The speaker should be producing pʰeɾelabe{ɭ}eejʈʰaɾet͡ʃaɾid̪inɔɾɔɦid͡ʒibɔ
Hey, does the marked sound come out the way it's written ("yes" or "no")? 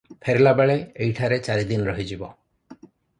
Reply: yes